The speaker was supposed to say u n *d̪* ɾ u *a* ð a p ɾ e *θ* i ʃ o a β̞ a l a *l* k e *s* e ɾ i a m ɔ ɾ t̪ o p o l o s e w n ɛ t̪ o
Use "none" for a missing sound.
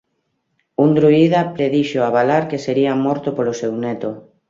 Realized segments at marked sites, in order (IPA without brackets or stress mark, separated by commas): d̪, i, ð, ɾ, s